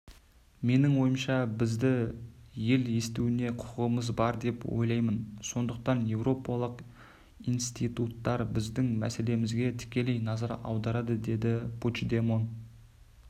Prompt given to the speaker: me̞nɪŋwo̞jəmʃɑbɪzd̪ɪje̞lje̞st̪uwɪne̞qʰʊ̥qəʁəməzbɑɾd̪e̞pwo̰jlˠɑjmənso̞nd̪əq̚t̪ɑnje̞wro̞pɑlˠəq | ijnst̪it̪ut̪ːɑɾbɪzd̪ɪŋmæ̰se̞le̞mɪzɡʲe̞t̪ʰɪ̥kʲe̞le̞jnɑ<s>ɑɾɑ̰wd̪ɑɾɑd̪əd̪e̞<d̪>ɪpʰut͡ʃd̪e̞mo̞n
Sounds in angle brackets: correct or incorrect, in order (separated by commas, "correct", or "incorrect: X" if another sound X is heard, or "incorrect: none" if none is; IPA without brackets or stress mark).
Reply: incorrect: z, correct